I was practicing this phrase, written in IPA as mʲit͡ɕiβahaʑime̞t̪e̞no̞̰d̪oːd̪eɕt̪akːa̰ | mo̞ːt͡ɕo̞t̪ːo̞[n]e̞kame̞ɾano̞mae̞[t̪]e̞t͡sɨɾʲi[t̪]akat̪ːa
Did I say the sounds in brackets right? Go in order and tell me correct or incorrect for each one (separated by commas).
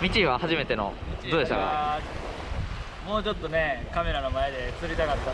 correct, incorrect, correct